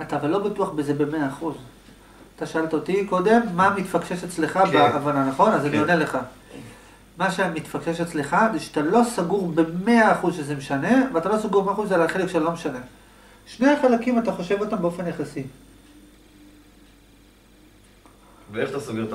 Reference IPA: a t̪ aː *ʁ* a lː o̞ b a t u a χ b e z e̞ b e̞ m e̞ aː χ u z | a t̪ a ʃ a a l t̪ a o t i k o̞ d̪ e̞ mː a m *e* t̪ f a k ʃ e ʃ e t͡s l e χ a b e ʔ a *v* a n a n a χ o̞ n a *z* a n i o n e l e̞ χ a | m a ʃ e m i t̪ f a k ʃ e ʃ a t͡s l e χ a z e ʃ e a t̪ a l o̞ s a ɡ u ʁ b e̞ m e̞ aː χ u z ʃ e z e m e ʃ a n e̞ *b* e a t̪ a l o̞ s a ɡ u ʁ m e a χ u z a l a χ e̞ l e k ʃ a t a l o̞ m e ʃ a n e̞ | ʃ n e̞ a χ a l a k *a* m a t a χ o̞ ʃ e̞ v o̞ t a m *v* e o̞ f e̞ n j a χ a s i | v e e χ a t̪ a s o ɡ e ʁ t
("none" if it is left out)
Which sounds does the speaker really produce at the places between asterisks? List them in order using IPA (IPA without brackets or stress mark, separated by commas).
v, i, v, z, v, i, b